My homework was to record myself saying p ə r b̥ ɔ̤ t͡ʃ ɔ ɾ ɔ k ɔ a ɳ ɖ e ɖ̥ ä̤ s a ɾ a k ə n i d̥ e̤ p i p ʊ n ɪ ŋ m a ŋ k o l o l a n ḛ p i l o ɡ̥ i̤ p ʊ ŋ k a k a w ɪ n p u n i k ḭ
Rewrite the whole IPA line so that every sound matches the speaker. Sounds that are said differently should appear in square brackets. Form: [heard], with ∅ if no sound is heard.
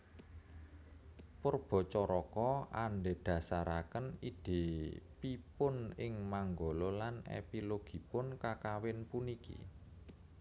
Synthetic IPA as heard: p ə r b̥ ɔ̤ t͡ʃ ɔ ɾ ɔ k ɔ a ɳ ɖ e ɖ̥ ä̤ s a ɾ a k ə n i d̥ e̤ p i p ʊ n ɪ ŋ m a ŋ [ɡ] o l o l a n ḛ p i l o ɡ̥ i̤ p ʊ [n] k a k a w ɪ n p u n i k ḭ